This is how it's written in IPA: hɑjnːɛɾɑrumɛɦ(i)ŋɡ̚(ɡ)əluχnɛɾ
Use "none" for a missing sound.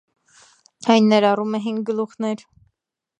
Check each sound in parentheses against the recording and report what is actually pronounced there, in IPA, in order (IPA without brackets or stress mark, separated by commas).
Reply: i, ɡ